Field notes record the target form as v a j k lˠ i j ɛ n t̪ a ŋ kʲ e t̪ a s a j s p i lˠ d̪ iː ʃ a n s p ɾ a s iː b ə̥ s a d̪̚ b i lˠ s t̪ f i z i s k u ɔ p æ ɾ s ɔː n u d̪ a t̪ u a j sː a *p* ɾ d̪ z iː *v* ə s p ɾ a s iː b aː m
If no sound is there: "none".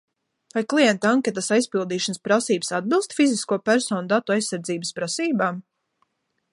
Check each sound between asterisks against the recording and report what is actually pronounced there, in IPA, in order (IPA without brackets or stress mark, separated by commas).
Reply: none, b